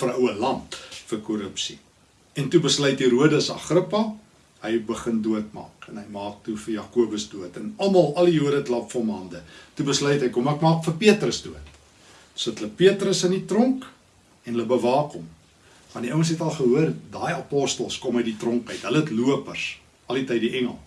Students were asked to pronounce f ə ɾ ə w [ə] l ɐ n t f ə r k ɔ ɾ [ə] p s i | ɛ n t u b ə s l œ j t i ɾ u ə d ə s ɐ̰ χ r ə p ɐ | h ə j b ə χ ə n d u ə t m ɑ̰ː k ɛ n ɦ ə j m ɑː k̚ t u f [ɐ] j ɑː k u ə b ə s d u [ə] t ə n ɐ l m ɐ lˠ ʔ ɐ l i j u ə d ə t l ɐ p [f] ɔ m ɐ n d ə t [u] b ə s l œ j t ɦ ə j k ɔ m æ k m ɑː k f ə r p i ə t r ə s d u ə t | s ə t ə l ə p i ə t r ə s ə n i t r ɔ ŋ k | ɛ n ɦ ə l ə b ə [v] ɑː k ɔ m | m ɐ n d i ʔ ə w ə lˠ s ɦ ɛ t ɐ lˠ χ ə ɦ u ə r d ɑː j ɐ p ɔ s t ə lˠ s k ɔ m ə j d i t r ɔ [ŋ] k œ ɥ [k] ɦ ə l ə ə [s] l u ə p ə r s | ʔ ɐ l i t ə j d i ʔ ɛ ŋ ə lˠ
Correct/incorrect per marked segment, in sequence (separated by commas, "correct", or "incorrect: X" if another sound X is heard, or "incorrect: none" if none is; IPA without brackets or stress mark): correct, correct, incorrect: ə, correct, correct, correct, correct, correct, incorrect: t, incorrect: t